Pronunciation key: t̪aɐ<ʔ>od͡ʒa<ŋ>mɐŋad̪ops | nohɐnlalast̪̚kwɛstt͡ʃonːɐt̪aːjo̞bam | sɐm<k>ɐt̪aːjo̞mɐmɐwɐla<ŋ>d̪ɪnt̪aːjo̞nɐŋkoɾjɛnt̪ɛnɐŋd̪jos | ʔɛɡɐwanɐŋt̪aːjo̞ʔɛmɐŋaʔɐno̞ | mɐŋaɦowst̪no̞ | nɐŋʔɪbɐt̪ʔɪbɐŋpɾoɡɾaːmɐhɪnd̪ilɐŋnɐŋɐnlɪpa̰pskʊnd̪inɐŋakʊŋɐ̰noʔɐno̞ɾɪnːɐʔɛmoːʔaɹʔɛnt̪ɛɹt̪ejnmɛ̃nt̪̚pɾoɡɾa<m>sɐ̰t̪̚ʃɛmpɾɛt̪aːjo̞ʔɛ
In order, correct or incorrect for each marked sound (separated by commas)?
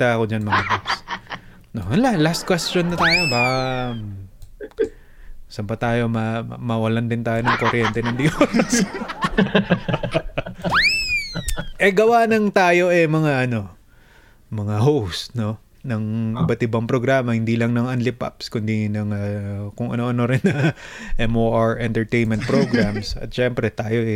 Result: incorrect, incorrect, incorrect, incorrect, correct